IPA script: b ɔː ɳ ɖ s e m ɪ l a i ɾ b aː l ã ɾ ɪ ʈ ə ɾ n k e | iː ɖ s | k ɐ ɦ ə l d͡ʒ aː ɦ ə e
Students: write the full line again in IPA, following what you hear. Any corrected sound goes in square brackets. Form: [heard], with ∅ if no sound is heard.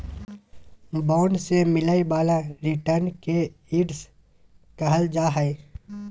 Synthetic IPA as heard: b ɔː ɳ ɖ s e m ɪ l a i [∅] b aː l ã ɾ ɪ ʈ ə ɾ n k e | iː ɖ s | k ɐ ɦ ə l d͡ʒ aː ɦ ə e